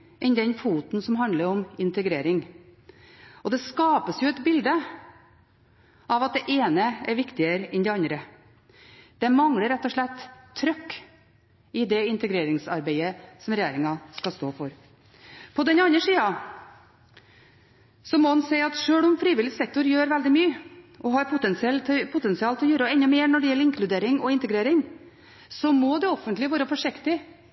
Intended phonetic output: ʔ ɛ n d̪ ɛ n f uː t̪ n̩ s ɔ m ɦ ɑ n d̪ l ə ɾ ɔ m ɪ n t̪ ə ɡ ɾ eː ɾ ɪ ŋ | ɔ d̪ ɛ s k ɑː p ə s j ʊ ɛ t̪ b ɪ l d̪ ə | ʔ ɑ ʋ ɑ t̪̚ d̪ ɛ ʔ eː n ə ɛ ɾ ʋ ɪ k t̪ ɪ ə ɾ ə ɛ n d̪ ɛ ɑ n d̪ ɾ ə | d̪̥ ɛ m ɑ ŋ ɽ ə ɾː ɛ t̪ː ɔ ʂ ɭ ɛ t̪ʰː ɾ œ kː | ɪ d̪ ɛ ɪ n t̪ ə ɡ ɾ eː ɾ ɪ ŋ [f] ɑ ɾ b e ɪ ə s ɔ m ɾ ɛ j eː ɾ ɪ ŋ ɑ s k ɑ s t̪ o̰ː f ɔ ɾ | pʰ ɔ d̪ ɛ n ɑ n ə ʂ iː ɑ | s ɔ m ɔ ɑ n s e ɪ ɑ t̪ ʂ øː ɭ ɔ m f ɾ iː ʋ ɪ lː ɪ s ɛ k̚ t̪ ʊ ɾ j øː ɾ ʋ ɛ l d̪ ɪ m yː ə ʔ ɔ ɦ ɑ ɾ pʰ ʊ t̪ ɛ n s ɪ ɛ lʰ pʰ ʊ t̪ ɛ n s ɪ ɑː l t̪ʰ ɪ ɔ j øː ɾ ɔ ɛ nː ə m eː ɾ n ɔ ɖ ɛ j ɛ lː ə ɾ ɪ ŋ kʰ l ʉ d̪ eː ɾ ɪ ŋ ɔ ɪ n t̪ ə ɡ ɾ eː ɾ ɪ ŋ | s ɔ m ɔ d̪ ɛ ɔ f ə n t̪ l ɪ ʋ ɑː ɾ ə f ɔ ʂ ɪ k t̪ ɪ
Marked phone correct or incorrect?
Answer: incorrect